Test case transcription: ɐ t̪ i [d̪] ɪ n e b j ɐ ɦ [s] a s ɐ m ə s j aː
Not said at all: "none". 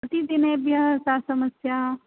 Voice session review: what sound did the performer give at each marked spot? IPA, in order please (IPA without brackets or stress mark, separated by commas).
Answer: d̪, s